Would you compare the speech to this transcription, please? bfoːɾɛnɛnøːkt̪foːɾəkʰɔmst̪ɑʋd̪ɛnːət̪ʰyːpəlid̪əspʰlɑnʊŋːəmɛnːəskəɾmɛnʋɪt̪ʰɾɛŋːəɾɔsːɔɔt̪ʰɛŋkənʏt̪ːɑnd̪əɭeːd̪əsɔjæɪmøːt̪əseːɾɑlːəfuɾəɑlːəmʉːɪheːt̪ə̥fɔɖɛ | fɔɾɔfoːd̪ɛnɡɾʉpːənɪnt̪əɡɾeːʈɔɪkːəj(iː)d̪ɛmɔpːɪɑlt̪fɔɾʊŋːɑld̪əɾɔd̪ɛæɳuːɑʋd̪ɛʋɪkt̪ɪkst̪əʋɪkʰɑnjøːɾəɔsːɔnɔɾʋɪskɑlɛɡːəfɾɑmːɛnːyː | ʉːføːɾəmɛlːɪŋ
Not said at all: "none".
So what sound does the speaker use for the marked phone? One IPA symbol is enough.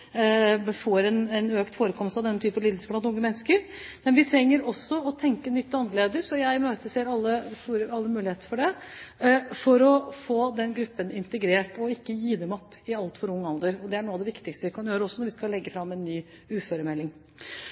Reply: iː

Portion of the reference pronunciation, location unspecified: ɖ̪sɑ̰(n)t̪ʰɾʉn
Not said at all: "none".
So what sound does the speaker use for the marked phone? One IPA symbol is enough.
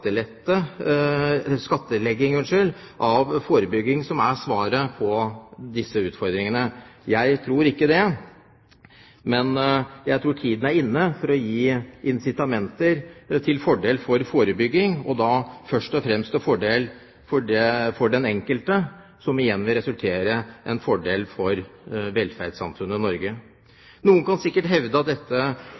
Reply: n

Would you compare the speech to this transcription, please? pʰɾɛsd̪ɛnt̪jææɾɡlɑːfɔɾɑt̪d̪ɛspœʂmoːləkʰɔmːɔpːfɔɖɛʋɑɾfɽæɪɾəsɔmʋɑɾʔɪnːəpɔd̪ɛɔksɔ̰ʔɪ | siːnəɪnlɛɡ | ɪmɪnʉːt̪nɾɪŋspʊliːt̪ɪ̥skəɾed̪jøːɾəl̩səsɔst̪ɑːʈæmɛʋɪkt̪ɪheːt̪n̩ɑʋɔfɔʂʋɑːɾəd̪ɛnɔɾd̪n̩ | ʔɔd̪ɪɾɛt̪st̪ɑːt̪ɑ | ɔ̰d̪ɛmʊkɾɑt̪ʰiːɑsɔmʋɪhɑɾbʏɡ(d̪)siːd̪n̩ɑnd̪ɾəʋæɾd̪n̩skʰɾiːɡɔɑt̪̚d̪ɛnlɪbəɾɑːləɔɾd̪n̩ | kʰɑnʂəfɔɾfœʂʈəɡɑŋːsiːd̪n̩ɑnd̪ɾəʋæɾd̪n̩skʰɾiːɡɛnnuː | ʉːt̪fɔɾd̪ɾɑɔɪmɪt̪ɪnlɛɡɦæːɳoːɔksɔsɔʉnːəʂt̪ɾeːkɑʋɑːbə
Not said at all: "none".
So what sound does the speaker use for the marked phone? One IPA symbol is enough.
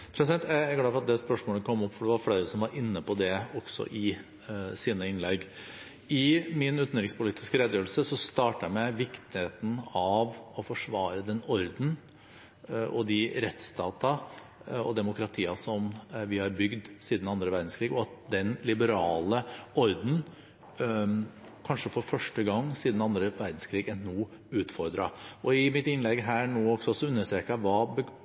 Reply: d̪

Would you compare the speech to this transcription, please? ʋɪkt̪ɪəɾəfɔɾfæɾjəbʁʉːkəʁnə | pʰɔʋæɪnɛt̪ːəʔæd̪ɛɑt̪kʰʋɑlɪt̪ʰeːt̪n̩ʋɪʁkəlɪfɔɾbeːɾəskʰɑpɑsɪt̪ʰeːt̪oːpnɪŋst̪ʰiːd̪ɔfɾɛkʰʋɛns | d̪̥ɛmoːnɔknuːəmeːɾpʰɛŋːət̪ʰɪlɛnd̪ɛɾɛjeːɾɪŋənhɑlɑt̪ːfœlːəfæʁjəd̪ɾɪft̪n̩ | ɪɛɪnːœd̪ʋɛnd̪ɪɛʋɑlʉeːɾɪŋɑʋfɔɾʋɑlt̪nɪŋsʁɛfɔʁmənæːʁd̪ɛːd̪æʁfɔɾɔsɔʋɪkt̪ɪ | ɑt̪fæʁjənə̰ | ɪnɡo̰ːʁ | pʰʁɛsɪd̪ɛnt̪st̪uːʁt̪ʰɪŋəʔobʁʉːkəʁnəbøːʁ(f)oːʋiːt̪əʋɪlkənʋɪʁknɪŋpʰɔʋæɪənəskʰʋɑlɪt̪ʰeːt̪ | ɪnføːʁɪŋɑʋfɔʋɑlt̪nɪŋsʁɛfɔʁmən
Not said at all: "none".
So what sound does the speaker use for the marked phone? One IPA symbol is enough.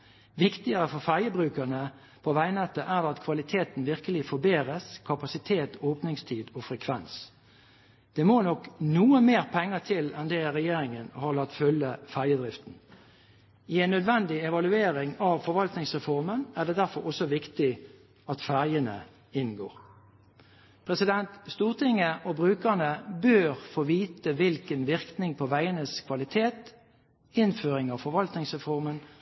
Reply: f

